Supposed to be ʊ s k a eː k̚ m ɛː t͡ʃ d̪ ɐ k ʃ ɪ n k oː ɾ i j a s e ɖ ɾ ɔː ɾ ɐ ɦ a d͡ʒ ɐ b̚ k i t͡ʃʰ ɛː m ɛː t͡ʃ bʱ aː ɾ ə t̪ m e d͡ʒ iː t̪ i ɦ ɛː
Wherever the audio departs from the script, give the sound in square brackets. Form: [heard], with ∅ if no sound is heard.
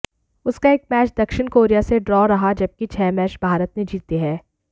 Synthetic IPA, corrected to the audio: ʊ s k a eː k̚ m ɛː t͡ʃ d̪ ɐ k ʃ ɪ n k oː ɾ i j a s e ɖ ɾ ɔː ɾ ɐ ɦ a d͡ʒ ɐ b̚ k i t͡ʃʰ ɛː m ɛː t͡ʃ bʱ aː ɾ ə t̪ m e d͡ʒ iː t̪ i ɦ ɛː